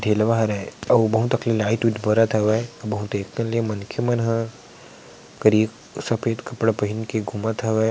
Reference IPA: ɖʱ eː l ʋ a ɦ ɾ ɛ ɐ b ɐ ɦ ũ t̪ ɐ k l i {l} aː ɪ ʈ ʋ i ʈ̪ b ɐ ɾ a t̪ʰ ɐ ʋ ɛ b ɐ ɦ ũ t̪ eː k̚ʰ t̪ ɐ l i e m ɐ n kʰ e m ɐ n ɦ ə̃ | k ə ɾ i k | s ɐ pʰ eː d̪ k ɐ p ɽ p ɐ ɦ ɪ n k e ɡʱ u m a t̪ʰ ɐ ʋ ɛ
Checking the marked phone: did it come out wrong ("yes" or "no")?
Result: no